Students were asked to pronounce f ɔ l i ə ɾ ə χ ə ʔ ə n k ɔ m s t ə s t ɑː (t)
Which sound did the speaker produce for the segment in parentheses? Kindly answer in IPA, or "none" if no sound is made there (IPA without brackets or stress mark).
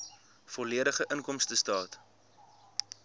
t